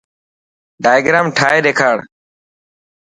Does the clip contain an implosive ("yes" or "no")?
yes